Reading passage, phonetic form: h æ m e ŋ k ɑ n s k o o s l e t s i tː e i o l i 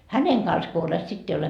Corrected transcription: h æ n e ŋ k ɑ n s k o o l e t s i tː e i o l e